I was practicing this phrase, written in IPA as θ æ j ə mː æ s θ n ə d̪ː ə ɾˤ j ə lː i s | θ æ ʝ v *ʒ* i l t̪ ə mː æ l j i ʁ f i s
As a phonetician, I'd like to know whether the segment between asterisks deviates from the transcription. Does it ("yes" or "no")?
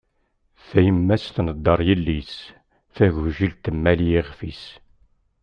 no